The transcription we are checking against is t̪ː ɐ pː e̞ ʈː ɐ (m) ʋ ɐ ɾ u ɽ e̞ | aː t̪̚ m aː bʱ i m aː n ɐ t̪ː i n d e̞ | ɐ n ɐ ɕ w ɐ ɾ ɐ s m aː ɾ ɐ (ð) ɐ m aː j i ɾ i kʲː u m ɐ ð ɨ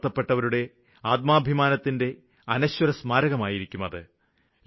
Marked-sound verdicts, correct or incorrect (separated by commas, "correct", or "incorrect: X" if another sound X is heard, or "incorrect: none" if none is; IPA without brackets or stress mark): incorrect: none, incorrect: ɣ